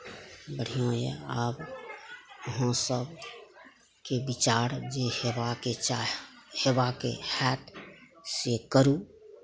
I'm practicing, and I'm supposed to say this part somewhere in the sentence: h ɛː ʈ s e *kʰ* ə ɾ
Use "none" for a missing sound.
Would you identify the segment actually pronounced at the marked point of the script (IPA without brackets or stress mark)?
k